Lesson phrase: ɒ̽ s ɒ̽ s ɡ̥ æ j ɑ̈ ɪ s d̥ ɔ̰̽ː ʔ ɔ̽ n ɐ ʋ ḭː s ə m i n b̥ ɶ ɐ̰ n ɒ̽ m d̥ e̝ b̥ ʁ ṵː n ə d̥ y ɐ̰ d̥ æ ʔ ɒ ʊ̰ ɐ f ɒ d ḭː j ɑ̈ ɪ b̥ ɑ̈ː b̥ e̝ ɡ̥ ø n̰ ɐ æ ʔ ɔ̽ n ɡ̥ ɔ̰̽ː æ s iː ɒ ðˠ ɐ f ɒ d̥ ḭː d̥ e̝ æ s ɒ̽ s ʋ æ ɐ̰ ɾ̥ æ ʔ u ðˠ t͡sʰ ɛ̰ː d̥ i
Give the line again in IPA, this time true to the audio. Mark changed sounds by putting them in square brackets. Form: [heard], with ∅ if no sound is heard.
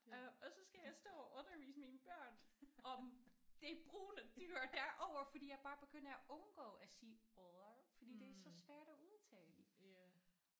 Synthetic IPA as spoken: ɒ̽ s ɒ̽ s ɡ̥ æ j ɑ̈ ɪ s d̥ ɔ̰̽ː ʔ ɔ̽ n ɐ ʋ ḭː s ə m i n b̥ ɶ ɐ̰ n ɒ̽ m d̥ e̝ b̥ ʁ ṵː n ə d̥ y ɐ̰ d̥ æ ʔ ɒ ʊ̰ ɐ f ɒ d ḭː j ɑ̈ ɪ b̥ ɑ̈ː b̥ e̝ ɡ̥ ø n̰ ɐ æ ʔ ɔ̽ n ɡ̥ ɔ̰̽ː æ s iː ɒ ðˠ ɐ f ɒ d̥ ḭː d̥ e̝ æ s ɒ̽ s ʋ æ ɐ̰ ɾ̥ æ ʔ u ðˠ t͡sʰ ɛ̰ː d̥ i